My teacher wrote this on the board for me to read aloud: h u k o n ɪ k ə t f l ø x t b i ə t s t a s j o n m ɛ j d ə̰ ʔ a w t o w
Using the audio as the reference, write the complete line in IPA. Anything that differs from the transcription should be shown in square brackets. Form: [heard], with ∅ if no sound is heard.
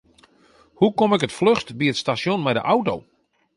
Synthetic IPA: h u k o [m] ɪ k ə t f l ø x t b i ə t s t a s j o n m ɛ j d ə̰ ʔ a w t o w